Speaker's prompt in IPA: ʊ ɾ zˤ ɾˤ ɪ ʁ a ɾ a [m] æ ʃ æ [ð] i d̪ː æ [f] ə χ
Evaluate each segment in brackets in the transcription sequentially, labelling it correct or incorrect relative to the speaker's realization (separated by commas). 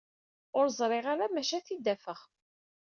correct, incorrect, correct